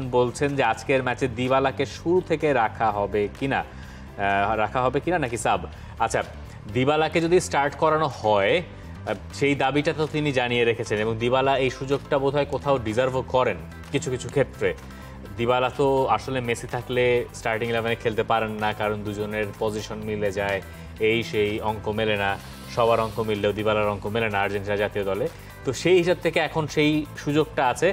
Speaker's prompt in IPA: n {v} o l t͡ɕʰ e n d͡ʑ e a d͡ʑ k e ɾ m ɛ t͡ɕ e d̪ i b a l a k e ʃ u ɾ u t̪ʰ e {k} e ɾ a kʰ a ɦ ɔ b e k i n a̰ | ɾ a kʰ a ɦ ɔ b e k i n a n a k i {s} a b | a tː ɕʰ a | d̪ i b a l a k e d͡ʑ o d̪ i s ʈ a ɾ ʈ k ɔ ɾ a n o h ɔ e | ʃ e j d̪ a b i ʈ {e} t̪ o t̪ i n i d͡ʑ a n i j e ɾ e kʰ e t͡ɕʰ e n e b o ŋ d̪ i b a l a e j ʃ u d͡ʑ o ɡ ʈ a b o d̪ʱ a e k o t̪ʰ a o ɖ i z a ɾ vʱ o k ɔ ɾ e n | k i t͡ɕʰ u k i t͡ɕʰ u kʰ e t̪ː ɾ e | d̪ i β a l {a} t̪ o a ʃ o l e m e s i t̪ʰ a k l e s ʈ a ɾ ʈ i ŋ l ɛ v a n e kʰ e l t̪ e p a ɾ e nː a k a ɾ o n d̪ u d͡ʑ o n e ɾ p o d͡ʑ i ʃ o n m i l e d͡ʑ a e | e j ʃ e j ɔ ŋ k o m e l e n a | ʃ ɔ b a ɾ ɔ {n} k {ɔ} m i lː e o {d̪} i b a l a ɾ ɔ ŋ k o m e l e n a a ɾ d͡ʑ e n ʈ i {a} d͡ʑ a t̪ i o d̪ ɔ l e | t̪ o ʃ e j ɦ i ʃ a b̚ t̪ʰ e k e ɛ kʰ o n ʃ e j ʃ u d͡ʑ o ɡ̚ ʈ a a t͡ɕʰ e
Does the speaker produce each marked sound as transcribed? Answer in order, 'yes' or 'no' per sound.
no, yes, yes, no, yes, no, no, yes, yes

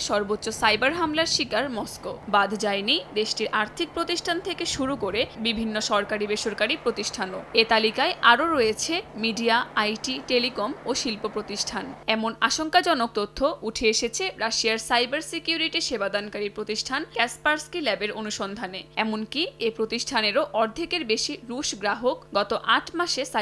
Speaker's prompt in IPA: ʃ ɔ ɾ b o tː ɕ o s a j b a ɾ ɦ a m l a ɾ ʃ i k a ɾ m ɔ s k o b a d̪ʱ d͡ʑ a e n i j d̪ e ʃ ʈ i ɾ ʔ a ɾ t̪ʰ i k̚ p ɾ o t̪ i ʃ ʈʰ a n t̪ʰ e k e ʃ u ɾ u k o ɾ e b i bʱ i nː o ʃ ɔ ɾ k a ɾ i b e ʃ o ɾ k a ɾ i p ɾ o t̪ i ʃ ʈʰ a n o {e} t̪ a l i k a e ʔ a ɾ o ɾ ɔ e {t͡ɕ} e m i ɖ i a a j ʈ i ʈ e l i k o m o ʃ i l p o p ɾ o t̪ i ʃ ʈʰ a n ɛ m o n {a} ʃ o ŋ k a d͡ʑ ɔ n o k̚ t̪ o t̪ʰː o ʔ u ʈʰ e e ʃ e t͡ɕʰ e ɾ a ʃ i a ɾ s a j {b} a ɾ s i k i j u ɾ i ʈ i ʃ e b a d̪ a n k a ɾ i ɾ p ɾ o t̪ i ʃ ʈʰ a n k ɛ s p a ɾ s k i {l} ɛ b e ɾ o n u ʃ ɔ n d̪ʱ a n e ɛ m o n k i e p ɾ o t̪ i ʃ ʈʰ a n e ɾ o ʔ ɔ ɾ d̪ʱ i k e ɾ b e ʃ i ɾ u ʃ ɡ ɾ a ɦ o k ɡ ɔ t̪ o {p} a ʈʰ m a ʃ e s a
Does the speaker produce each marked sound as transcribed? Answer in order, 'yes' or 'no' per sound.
yes, no, yes, yes, yes, no

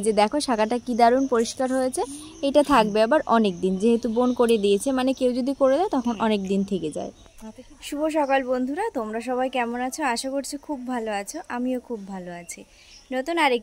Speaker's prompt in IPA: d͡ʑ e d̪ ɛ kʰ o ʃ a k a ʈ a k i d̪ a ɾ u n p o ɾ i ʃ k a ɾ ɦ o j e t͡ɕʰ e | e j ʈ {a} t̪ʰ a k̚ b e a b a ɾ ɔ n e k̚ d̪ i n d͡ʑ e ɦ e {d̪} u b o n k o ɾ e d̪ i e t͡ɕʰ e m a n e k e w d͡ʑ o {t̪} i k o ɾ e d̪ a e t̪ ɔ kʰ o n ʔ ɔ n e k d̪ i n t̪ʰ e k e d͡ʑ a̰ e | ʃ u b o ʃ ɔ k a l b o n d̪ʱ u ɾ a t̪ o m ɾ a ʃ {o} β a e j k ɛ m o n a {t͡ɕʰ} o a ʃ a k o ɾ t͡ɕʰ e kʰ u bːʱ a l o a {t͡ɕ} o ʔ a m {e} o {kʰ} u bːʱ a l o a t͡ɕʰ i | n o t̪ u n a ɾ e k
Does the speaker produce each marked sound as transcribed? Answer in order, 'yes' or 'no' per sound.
yes, no, no, no, yes, no, no, yes

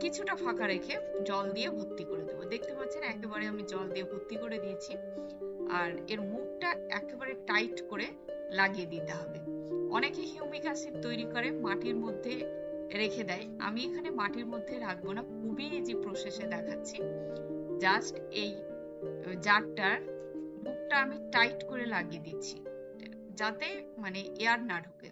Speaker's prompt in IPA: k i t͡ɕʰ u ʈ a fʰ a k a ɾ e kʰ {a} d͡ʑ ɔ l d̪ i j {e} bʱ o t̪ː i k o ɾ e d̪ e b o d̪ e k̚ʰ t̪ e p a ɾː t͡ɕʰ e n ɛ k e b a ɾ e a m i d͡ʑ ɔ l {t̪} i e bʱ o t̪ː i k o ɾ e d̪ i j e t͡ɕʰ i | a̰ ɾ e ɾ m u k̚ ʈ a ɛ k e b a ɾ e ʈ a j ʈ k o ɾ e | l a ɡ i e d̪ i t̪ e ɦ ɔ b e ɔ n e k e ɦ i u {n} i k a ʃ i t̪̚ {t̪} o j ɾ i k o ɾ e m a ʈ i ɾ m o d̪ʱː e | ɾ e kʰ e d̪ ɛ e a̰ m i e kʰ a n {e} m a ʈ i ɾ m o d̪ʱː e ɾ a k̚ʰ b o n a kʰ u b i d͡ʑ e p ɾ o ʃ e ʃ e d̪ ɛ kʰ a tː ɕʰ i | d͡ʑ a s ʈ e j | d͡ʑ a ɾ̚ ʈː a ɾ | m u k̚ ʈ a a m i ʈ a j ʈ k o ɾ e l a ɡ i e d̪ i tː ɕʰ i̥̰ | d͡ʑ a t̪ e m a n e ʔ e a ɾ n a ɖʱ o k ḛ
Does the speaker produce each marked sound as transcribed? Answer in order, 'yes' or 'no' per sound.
no, yes, no, no, yes, yes

